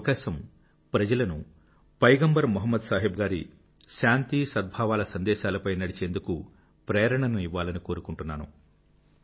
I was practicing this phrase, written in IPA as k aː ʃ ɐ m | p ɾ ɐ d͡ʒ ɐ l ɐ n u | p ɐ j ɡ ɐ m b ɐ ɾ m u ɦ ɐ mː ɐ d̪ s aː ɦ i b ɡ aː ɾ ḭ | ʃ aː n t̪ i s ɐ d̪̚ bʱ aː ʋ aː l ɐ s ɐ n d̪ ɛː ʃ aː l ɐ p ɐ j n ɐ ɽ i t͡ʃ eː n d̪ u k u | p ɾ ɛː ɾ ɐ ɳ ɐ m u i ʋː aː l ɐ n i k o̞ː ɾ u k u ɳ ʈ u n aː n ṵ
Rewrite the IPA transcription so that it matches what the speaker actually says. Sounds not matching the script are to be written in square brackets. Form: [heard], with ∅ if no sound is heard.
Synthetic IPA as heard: k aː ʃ ɐ m | p ɾ ɐ d͡ʒ ɐ l ɐ n u | p ɐ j ɡ ɐ m b ɐ ɾ m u ɦ ɐ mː ɐ d̪ s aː ɦ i b ɡ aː ɾ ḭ | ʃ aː n t̪ i s ɐ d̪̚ bʱ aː ʋ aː l ɐ s ɐ n d̪ ɛː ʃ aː l ɐ p ɐ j n ɐ ɽ i t͡ʃ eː n d̪ u k u | p ɾ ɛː ɾ ɐ ɳ ɐ [n] u i ʋː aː l ɐ n i k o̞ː ɾ u k u ɳ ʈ u [nː] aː n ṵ